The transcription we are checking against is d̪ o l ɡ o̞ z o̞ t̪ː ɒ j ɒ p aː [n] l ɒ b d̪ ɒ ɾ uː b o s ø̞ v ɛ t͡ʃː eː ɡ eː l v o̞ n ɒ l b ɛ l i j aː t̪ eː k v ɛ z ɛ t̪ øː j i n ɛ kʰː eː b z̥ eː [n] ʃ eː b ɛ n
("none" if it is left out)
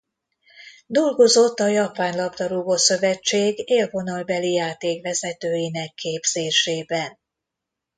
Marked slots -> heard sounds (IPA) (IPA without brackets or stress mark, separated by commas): n, none